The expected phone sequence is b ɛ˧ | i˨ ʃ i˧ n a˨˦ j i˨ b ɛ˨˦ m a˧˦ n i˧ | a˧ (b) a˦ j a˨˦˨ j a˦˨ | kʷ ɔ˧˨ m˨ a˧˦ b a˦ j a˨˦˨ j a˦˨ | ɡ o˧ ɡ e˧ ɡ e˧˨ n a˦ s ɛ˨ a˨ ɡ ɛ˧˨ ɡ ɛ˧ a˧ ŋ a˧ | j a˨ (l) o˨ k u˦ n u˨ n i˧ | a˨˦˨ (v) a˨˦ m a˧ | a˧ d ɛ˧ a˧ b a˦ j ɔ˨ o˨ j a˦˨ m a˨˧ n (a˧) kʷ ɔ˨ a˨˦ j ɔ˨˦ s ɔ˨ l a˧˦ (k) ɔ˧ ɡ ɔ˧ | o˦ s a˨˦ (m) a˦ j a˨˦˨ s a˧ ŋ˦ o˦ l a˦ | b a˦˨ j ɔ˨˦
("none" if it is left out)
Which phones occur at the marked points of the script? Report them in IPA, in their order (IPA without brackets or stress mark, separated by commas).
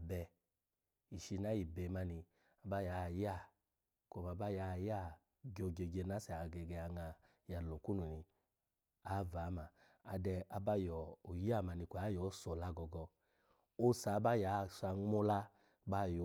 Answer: b, l, v, i˧, ɡ, b